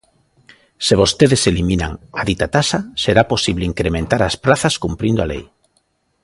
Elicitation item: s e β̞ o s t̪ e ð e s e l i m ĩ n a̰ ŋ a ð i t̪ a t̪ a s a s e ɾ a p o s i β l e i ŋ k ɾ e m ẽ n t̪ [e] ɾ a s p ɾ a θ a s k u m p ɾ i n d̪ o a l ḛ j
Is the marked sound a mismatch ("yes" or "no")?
yes